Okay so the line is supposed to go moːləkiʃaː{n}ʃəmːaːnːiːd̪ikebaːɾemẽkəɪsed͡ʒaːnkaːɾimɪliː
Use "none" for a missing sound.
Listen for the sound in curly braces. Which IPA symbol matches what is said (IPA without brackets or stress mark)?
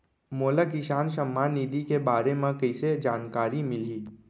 n